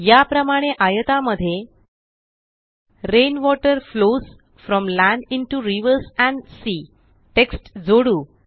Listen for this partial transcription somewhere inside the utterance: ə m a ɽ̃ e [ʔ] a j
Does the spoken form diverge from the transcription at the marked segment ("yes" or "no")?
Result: no